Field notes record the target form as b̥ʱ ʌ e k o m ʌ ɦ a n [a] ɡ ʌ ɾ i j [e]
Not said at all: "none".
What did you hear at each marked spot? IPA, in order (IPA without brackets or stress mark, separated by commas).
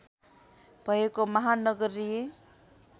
ʌ, e